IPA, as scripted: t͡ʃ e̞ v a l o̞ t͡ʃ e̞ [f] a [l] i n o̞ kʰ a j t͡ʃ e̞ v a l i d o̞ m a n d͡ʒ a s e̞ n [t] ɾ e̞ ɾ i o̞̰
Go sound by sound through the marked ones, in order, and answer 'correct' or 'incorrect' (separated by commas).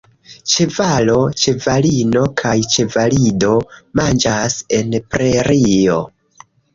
incorrect, correct, incorrect